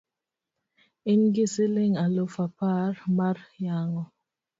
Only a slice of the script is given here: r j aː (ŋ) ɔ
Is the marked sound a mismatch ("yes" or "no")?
no